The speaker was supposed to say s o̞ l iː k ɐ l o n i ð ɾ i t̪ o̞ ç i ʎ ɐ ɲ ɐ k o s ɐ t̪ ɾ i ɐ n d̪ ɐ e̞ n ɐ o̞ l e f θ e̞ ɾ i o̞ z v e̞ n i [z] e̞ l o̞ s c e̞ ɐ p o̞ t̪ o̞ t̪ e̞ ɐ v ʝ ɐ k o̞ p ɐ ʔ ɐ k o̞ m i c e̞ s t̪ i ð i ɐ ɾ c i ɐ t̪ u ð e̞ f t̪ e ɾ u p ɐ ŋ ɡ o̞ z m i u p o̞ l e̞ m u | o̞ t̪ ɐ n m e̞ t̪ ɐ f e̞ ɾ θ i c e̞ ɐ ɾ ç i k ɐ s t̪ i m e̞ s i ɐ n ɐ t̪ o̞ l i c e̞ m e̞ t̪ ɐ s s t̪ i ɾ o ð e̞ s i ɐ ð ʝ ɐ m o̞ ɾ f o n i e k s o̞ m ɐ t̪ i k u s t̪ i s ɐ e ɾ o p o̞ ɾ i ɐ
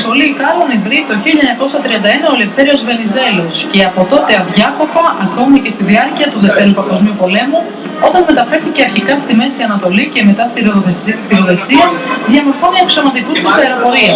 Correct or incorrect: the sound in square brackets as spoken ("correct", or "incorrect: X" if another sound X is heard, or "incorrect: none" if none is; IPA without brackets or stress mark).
correct